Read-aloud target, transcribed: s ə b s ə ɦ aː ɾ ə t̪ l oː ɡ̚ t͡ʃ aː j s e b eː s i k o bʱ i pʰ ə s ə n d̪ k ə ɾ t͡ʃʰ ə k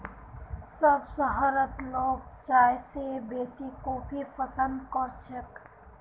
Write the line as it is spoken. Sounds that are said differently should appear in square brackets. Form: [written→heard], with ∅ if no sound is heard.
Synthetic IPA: s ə b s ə ɦ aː ɾ ə t̪ l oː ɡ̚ t͡ʃ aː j s e b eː s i k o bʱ i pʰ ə s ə n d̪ k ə ɾ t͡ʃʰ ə k